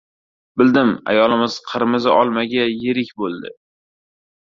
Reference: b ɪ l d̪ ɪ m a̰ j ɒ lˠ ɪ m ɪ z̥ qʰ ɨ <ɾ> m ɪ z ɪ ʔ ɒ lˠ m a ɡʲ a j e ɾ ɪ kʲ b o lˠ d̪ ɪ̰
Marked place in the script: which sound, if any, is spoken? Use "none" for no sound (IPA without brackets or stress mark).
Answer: ɾ